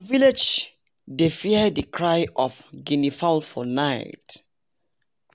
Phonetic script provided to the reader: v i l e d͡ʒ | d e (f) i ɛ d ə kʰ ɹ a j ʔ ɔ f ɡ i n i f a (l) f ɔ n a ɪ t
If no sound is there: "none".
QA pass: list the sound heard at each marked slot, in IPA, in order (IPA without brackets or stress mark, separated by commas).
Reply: f, l